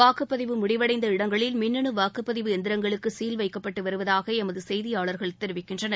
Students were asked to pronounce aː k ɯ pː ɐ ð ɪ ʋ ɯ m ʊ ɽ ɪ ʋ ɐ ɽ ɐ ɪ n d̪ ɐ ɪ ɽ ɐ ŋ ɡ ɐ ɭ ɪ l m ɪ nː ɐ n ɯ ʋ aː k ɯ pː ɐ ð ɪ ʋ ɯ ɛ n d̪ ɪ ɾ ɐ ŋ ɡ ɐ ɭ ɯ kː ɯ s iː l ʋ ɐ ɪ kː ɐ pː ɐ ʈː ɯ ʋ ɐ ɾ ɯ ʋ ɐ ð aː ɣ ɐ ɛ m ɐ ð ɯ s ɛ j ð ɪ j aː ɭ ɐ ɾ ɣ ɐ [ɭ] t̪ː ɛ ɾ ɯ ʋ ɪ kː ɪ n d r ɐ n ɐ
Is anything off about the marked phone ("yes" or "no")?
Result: no